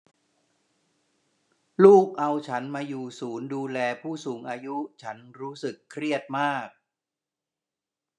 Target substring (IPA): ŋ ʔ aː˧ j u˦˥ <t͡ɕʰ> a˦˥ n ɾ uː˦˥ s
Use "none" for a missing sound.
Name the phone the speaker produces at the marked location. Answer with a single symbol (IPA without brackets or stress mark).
t͡ɕʰ